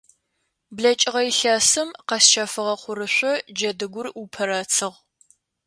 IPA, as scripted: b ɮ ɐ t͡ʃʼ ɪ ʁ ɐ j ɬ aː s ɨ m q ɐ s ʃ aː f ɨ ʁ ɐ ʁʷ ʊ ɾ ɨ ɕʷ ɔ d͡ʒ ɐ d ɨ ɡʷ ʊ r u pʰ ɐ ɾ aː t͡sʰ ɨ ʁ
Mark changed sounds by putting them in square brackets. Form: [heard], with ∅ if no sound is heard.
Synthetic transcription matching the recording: b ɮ ɐ t͡ʃʼ ɪ ʁ ɐ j ɬ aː s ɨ m q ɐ s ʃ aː f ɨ ʁ ɐ [χʷ] ʊ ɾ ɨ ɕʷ ɔ d͡ʒ ɐ d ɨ ɡʷ ʊ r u pʰ ɐ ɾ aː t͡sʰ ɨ ʁ